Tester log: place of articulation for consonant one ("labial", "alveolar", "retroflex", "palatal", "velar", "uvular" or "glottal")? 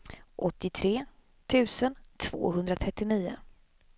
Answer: glottal